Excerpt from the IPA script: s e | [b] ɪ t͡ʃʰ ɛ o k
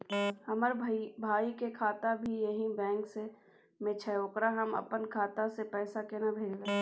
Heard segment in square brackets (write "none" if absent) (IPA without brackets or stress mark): m